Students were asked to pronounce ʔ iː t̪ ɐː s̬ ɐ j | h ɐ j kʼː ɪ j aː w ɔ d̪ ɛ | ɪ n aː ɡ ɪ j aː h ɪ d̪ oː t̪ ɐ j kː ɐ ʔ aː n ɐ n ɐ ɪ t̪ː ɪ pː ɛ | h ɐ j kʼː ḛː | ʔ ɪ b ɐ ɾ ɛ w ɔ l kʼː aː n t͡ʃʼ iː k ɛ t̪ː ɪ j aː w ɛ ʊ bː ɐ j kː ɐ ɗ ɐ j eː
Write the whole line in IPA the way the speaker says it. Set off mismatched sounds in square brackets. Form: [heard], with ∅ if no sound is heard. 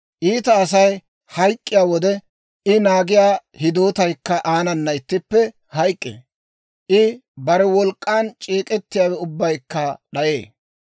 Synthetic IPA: ʔ iː t̪ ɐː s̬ ɐ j | h ɐ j kʼː ɪ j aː w ɔ d̪ ɛ | ɪ n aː ɡ ɪ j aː h ɪ d̪ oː t̪ ɐ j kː ɐ ʔ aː n ɐ [nː] ɐ ɪ t̪ː ɪ pː ɛ | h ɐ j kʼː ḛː | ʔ ɪ b ɐ ɾ ɛ w ɔ l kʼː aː n t͡ʃʼ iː [kʼ] ɛ t̪ː ɪ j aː w ɛ ʊ bː ɐ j kː ɐ ɗ ɐ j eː